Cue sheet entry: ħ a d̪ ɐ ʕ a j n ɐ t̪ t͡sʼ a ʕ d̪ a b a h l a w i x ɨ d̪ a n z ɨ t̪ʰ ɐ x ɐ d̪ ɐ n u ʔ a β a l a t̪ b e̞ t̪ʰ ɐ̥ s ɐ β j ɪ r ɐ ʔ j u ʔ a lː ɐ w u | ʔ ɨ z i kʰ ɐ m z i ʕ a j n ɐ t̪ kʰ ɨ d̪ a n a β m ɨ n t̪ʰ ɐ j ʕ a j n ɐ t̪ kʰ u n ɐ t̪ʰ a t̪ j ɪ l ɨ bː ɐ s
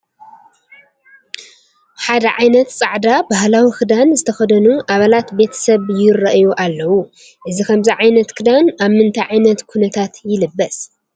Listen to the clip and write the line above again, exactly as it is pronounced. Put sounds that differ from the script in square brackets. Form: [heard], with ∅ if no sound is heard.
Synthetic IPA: ħ a d̪ ɐ ʕ a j n ɐ t̪ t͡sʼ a ʕ d̪ a b a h l a w i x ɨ d̪ a n z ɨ t̪ʰ ɐ x ɐ d̪ ɐ n u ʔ a β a l a t̪ b e̞ t̪ʰ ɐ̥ s ɐ β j ɪ r ɐ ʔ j u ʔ a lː ɐ w u | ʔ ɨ z i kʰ ɐ m z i ʕ a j n ɐ t̪ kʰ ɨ d̪ a n a β m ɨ n t̪ʰ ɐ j ʕ a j n ɐ t̪ kʰ u n ɐ t̪ʰ a t̪ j ɪ l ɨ bː ɐ s

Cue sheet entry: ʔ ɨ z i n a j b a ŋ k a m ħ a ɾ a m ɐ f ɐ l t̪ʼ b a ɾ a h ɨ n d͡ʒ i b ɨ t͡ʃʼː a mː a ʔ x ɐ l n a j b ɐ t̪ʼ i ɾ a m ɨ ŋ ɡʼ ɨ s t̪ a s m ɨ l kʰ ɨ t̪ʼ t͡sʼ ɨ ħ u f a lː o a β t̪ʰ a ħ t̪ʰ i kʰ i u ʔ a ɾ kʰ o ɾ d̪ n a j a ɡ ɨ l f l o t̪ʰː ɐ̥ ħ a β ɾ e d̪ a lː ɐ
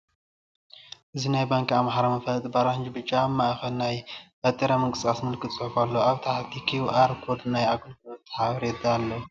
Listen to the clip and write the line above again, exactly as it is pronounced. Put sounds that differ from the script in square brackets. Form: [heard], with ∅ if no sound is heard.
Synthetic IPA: ʔ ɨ z i n a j b a ŋ k a m ħ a ɾ a m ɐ f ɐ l t̪ʼ b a ɾ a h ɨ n d͡ʒ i b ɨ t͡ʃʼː a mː a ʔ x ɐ l n a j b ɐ t̪ʼ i ɾ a m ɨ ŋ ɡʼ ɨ s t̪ a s m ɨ l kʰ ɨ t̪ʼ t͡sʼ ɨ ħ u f a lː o a β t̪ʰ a ħ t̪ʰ i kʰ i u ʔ a ɾ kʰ o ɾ d̪ n a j a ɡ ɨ l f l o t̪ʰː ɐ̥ ħ a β ɾ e d̪ a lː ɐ

